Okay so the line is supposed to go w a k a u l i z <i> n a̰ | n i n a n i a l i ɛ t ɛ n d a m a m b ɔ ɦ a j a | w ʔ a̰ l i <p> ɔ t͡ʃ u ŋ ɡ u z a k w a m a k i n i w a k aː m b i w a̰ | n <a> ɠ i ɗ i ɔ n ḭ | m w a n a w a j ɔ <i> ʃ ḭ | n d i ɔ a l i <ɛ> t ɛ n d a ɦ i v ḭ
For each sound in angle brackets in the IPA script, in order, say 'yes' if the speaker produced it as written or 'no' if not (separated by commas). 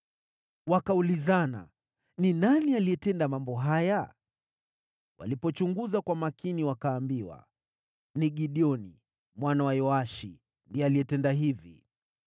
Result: no, yes, no, no, yes